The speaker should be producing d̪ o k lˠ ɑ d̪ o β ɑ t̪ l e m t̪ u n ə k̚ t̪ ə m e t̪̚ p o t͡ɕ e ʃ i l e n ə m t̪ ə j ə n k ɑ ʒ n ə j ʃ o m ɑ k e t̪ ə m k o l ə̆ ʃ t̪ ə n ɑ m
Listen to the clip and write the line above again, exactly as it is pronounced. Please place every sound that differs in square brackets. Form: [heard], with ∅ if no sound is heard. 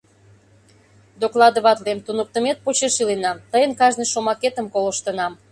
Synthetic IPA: d̪ o k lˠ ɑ d̪ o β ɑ t̪ l e m t̪ u n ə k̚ t̪ ə m e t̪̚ p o t͡ɕ e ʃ i l e n [ɑ] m t̪ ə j ə n k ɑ ʒ n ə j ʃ o m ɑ k e t̪ ə m k o l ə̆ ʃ t̪ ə n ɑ m